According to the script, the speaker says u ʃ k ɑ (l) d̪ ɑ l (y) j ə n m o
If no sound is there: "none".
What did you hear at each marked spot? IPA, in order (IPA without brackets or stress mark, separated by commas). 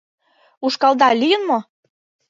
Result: l, i